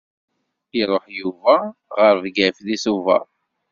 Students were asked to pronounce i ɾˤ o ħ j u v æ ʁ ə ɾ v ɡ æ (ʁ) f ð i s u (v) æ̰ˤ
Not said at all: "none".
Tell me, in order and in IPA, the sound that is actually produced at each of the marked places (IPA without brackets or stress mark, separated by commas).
none, v